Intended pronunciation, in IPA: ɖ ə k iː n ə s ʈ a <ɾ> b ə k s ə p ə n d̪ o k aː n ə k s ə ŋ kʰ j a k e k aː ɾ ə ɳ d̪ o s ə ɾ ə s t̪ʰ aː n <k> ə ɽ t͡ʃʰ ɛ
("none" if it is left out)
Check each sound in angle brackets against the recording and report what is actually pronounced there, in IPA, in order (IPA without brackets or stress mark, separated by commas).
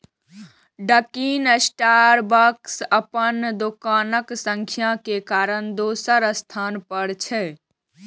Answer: ɾ, p